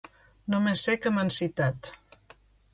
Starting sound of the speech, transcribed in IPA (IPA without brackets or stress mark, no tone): n